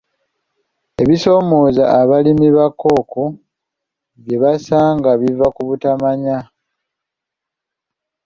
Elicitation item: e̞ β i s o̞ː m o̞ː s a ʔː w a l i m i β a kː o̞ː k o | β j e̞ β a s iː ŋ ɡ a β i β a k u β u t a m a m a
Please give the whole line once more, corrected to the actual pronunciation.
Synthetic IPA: e̞ β i s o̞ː m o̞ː z a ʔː β a l i m i β a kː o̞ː k o | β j e̞ β a s aː ŋ ɡ a β i v a k u β u t a m a ɲ a